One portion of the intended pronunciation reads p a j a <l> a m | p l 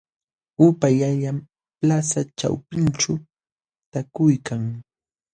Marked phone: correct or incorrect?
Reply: incorrect